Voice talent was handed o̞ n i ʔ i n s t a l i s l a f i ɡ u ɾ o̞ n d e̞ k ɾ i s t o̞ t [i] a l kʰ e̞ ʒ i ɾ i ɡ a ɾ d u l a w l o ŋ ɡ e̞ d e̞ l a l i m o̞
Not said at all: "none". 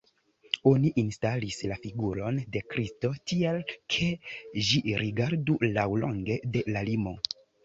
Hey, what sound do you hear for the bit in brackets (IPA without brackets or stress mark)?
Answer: i